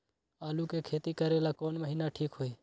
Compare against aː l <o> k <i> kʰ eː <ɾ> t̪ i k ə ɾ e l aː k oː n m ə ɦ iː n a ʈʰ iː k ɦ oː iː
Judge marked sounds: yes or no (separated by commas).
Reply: no, no, no